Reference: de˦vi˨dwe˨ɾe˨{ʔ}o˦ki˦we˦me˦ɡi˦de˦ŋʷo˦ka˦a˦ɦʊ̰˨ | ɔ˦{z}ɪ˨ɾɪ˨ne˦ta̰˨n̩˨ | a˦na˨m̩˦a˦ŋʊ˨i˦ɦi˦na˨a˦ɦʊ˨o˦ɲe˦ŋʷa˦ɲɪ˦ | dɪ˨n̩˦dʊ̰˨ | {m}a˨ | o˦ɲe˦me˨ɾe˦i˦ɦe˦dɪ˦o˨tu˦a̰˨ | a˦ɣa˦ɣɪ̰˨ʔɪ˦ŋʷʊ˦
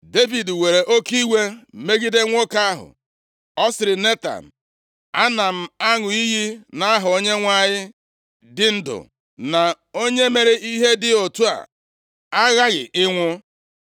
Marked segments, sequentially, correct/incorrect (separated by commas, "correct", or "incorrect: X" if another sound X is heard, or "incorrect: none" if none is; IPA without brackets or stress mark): correct, incorrect: s, incorrect: n